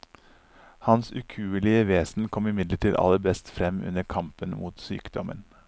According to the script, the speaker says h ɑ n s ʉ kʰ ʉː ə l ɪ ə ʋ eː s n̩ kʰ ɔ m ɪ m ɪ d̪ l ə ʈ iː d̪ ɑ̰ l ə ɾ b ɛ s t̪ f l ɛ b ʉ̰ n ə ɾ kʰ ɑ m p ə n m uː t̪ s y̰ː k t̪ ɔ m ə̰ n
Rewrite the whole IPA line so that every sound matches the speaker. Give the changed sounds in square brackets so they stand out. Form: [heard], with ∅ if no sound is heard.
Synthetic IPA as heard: h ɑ n s ʉ kʰ ʉː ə l ɪ ə ʋ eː s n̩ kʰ ɔ m ɪ m ɪ d̪ l ə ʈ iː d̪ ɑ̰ l ə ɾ b ɛ s t̪ f [ɾ] ɛ [m] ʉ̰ n ə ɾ kʰ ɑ m p ə n m uː t̪ s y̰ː k [d̪] ɔ m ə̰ n